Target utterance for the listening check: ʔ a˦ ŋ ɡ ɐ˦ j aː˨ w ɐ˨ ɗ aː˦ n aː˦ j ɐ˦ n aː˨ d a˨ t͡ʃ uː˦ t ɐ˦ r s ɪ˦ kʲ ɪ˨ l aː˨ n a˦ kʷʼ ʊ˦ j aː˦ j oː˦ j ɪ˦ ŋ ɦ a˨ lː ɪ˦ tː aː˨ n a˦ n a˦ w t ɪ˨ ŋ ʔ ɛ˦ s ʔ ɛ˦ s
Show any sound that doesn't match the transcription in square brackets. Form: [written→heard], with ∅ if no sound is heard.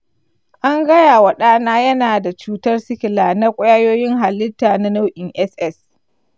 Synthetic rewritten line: ʔ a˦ ŋ ɡ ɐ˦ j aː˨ w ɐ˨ ɗ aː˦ n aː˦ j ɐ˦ n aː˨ d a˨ t͡ʃ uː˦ t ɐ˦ r s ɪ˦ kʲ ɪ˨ l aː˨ n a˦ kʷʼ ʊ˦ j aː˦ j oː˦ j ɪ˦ ŋ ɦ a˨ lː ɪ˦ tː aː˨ n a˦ n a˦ w [t→ʔ] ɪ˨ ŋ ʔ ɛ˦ s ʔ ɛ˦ s